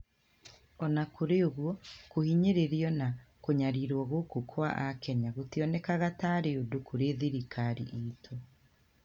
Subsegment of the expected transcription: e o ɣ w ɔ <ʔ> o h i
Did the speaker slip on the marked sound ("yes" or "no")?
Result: yes